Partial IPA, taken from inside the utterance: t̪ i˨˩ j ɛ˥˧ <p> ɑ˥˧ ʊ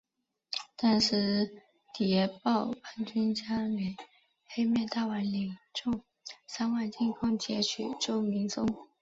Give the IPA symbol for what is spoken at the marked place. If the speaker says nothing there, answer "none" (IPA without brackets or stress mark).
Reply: p